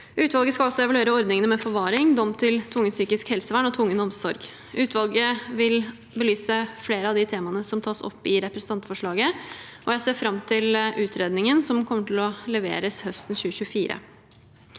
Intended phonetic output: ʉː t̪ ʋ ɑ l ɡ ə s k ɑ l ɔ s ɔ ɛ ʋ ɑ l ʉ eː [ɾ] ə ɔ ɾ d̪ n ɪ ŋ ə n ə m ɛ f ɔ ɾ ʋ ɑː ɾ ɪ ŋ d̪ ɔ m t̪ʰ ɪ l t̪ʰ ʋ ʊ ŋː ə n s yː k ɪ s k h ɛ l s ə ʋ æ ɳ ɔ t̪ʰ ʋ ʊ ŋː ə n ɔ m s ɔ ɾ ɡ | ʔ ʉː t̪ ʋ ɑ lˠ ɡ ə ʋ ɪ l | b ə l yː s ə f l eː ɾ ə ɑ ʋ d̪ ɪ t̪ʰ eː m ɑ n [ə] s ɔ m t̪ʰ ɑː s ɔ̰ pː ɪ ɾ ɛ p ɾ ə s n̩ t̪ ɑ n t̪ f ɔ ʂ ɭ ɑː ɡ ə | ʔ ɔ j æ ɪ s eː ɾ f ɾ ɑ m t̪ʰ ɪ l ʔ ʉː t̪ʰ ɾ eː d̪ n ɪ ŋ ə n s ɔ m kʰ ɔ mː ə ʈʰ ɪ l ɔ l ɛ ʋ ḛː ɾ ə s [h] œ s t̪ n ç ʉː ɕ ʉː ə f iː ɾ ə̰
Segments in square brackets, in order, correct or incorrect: correct, correct, correct

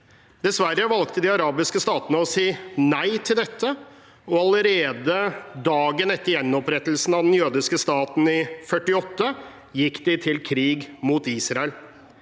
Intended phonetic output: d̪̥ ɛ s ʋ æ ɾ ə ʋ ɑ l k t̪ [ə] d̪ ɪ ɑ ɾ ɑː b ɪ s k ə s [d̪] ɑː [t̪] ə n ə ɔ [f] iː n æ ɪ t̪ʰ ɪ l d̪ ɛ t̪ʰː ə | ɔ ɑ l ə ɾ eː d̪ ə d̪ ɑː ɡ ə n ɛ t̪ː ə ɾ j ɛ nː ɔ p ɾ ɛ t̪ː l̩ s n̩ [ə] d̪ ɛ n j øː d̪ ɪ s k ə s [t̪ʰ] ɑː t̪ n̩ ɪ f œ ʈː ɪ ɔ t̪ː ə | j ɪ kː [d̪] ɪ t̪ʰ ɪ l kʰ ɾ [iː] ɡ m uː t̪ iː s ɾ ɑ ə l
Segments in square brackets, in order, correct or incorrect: correct, incorrect: t̪, correct, incorrect: s, incorrect: ɑ, incorrect: t̪, correct, correct

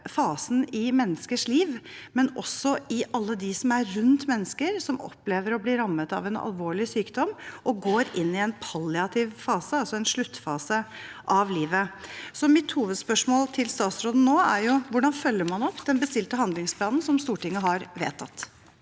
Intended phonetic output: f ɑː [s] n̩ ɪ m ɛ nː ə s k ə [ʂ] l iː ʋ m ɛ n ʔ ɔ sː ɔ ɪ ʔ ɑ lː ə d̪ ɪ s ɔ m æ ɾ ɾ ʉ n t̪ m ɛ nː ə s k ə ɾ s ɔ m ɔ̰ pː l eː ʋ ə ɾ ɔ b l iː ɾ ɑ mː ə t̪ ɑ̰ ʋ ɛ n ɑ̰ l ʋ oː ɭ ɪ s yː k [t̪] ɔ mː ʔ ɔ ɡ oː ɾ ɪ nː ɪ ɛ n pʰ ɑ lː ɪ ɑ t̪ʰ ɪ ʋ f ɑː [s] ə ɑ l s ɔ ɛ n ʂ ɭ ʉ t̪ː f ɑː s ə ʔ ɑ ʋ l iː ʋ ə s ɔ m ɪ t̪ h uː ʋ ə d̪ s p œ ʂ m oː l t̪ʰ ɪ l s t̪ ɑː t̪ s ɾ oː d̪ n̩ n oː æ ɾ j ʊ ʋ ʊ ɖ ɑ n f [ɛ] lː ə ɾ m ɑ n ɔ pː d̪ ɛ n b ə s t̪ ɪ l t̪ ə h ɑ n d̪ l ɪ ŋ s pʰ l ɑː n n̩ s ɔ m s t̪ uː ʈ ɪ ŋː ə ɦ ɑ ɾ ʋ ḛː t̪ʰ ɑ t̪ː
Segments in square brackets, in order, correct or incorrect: correct, correct, incorrect: d̪, correct, incorrect: œ

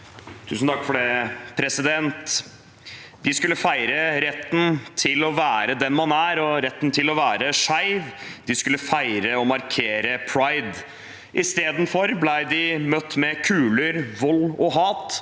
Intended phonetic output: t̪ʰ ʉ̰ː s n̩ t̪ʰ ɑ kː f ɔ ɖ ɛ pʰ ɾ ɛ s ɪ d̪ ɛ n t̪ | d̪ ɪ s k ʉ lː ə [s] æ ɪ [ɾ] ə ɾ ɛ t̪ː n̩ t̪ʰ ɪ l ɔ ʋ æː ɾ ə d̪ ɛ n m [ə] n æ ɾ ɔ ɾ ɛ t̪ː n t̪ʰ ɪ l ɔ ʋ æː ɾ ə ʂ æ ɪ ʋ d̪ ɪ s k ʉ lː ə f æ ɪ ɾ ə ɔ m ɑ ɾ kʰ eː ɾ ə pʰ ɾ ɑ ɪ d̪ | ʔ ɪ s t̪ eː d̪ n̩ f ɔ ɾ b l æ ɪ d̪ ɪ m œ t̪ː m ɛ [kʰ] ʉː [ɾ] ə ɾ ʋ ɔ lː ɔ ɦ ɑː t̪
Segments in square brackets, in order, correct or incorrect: incorrect: f, correct, incorrect: ɑ, correct, incorrect: l

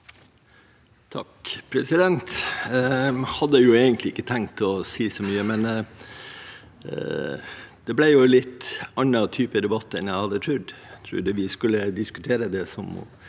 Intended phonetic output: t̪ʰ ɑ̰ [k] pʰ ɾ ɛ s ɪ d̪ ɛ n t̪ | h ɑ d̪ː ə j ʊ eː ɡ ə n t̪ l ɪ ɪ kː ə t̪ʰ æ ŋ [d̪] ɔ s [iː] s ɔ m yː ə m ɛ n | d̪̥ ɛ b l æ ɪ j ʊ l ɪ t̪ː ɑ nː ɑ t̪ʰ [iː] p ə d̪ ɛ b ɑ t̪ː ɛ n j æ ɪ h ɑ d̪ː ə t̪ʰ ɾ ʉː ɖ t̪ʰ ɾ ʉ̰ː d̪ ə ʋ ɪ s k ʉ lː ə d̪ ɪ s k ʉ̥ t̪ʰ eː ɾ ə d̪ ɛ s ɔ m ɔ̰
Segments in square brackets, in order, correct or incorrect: correct, incorrect: t̪, correct, incorrect: yː

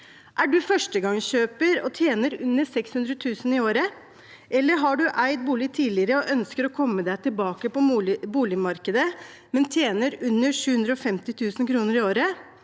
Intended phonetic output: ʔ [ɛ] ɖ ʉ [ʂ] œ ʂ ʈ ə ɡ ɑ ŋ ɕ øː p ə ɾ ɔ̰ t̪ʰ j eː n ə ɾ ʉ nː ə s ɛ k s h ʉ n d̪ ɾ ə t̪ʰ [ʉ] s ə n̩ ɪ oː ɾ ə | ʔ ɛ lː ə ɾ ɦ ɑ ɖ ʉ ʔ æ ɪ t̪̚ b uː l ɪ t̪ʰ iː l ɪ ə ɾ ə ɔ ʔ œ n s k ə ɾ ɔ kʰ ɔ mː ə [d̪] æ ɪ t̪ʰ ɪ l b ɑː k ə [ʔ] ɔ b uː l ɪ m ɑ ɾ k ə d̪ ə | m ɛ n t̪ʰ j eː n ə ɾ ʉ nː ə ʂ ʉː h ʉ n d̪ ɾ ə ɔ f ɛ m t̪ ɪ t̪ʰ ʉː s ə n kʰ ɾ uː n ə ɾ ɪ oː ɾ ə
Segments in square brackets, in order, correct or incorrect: incorrect: æ, incorrect: f, incorrect: ʉː, correct, incorrect: p

